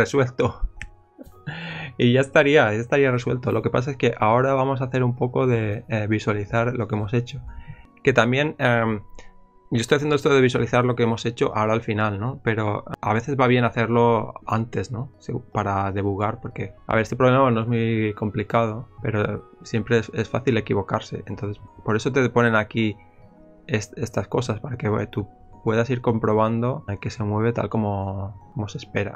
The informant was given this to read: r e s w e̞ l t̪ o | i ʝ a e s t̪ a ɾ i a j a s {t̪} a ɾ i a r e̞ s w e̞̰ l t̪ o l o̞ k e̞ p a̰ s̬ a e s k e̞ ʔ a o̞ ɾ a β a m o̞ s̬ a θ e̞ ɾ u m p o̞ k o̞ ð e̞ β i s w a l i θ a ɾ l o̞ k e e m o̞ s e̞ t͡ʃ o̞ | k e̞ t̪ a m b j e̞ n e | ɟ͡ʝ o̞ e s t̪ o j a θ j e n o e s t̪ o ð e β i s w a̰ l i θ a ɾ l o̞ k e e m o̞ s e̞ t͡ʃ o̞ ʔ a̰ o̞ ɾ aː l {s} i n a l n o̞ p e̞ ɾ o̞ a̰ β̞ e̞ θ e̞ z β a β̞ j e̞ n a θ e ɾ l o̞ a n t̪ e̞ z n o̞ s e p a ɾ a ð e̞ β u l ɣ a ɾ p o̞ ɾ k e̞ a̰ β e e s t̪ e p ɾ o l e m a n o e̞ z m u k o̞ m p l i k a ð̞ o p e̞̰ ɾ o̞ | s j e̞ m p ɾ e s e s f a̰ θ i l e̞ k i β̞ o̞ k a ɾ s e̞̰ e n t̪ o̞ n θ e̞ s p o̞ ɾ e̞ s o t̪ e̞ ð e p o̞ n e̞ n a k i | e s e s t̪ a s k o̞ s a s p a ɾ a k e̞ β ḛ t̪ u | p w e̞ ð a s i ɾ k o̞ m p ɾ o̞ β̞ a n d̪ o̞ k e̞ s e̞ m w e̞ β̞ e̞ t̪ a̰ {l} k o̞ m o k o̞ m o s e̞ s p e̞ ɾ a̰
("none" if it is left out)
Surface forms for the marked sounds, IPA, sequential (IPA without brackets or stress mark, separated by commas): t̪, f, l